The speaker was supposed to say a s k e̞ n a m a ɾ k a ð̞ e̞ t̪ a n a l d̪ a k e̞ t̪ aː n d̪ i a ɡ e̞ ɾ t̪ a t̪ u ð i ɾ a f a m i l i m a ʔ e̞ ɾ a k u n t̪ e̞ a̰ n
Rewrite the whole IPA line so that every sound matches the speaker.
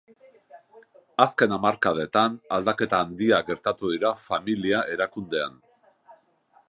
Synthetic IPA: a s k e̞ n a m a ɾ k a ð̞ e̞ t̪ a n a l d̪ a k e̞ t̪ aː n d̪ i a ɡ e̞ ɾ t̪ a t̪ u ð i ɾ a f a m i l i a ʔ e̞ ɾ a k u n d̪ e̞ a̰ n